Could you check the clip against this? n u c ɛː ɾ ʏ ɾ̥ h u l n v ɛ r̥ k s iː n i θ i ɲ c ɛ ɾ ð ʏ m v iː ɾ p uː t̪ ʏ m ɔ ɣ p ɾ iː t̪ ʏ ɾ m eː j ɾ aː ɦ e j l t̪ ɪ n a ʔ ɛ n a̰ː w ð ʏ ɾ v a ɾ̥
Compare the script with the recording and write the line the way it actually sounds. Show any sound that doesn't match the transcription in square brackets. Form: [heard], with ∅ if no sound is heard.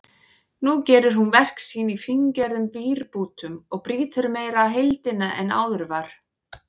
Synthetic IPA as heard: n u c ɛː ɾ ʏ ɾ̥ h u [∅] n v ɛ r̥ k s iː n i [f] i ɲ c ɛ ɾ ð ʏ m v iː ɾ p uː t̪ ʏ m ɔ ɣ p ɾ iː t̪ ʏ ɾ m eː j ɾ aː ɦ e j l t̪ ɪ n a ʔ ɛ n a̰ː w ð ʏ ɾ v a ɾ̥

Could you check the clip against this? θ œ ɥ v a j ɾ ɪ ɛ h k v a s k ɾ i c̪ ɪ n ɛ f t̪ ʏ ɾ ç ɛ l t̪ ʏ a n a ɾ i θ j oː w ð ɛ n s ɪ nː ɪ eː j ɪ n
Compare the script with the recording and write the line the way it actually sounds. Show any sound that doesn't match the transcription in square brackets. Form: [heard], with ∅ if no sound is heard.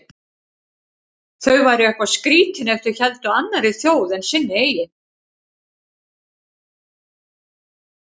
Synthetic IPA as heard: θ œ ɥ v a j ɾ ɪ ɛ h k v a s k ɾ [iː] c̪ ɪ n ɛ f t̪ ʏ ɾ ç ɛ l t̪ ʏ a [nː] a ɾ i θ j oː w ð ɛ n s ɪ nː ɪ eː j ɪ n

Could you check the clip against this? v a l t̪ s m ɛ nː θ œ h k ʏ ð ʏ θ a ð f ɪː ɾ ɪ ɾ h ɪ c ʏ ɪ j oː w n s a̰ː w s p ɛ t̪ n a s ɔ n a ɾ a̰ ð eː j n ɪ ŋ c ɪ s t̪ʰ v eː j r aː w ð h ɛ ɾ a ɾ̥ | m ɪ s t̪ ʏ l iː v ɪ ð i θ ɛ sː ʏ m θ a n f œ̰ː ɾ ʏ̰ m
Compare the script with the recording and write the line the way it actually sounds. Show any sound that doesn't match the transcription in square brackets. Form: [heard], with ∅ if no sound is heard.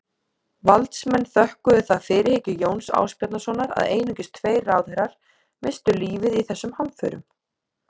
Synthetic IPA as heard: v a l t̪ s m ɛ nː θ œ h k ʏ ð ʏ θ a ð f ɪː ɾ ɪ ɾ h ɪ c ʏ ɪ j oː w n s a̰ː w s p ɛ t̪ n a s ɔ n a ɾ a̰ ð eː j n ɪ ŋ c ɪ s t̪ʰ v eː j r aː w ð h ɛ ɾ a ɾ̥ | m ɪ s t̪ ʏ l iː v ɪ ð i θ ɛ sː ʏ m [h] a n f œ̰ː ɾ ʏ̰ m

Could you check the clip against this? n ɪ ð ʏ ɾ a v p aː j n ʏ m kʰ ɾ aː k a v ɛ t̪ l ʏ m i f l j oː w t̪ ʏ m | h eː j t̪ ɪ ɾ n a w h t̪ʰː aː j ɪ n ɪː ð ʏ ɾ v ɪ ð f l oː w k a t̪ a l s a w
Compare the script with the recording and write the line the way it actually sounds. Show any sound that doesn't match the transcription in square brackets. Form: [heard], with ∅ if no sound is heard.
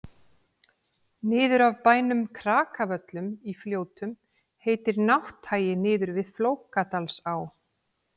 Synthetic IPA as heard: n [ɪː] ð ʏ ɾ a v p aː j n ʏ m kʰ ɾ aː k a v [œ] t̪ l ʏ m i f l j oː w t̪ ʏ m | h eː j t̪ ɪ ɾ n a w h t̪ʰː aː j ɪ n ɪː ð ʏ ɾ v ɪ ð f l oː w k a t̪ a l s a w

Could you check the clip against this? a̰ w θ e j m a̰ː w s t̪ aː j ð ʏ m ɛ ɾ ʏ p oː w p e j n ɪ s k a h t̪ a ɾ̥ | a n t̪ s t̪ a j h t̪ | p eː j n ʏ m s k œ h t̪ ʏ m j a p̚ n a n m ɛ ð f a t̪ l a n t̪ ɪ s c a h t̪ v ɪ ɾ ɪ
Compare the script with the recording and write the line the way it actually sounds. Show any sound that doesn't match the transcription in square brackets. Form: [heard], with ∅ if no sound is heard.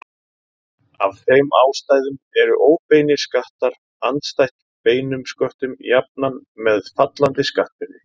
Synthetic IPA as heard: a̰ [v] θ e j m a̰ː w s t̪ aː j ð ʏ m ɛ ɾ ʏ [ʔ] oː w p e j n ɪ s k a h t̪ a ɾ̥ | a n t̪ s t̪ a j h t̪ | p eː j n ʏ m s k œ h t̪ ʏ m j a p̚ n a n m ɛ ð f a t̪ l a n t̪ ɪ s [k] a h t̪ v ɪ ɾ ɪ

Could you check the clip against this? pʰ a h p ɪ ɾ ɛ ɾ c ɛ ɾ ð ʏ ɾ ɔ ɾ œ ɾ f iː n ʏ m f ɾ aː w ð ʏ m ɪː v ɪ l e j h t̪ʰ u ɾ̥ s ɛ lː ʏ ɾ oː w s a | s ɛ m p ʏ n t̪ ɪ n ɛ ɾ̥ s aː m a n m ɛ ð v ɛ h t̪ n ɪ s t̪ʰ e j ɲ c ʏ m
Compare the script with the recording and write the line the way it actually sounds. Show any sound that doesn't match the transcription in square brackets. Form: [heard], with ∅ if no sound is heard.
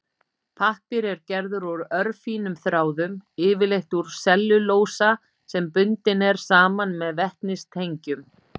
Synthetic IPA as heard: pʰ a h p ɪ ɾ ɛ ɾ c ɛ ɾ ð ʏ ɾ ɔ ɾ œ ɾ f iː n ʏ m [θ] ɾ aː w ð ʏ m ɪː v ɪ l e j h [t̪] u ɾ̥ s ɛ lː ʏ [l] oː w s a | s ɛ m p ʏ n t̪ ɪ n ɛ ɾ̥ s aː m a n m ɛ ð v ɛ h t̪ n ɪ s t̪ʰ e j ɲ c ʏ m

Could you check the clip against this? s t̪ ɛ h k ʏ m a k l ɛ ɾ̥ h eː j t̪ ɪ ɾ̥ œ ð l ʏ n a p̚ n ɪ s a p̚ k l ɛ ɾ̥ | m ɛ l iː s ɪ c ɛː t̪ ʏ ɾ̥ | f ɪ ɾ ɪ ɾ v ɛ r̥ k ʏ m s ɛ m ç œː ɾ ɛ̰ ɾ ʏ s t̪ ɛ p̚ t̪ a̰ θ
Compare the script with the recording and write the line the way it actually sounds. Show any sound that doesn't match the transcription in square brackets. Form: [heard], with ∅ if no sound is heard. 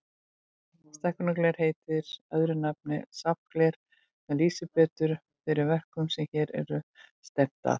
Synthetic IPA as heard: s t̪ ɛ h k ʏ [n] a k l ɛ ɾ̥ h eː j t̪ ɪ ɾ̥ œ ð [ɾ] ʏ n a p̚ n ɪ s a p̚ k l ɛ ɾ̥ | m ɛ l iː s ɪ [p] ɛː t̪ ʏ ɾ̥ | f ɪ ɾ ɪ ɾ v ɛ r̥ k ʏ m s ɛ m ç [ɛː] ɾ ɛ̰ ɾ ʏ s t̪ ɛ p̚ t̪ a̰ θ

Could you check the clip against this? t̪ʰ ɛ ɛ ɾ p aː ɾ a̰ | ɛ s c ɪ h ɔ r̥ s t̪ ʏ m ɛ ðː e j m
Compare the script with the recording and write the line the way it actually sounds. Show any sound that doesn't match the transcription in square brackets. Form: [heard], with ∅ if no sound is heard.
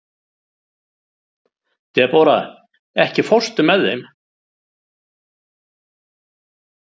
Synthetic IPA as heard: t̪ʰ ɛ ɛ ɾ p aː ɾ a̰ | ɛ [h] c ɪ [f] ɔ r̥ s t̪ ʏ m ɛ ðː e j m

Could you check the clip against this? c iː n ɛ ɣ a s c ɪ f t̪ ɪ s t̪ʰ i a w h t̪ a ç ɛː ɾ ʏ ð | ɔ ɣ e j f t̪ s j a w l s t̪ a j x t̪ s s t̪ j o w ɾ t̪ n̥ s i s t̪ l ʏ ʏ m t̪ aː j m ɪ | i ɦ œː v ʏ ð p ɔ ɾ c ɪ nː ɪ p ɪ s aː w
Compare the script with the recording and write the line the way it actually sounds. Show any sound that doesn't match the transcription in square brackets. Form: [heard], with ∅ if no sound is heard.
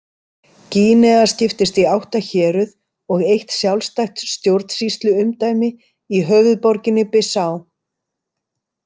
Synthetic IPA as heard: c iː n ɛ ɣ a s c ɪ f t̪ ɪ s [t̪] i a w h t̪ a ç ɛː ɾ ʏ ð | ɔ ɣ e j [h] t̪ s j a w l s t̪ a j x t̪ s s t̪ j o w ɾ t̪ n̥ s i s t̪ l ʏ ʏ m t̪ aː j m ɪ | i ɦ œː v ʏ ð p ɔ ɾ c ɪ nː ɪ p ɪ s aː w

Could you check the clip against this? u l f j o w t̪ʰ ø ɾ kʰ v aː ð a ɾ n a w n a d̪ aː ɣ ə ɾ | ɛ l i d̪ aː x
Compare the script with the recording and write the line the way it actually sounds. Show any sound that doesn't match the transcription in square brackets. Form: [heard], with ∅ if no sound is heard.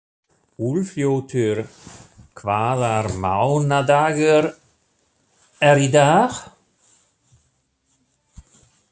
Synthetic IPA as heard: u l f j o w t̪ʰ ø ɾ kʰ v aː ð a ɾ [m] a w n a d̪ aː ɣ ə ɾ | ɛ [ɾ] i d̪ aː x

